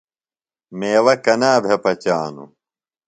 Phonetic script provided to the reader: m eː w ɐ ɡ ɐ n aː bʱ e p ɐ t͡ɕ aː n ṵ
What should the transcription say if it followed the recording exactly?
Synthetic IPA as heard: m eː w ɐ k ɐ n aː bʱ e p ɐ t͡ɕ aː n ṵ